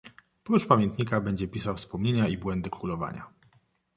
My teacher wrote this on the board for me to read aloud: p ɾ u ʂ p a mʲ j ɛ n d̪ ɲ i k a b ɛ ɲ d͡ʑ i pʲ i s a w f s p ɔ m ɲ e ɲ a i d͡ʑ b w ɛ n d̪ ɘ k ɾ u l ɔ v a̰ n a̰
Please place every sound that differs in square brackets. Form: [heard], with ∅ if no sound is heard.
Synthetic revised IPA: p ɾ u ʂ p a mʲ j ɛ n [t̪] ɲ i k a b ɛ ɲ d͡ʑ [ɛ] pʲ i s a w f s p ɔ m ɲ e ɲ a i [∅] b w ɛ n d̪ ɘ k ɾ u l ɔ v a̰ [ɲ] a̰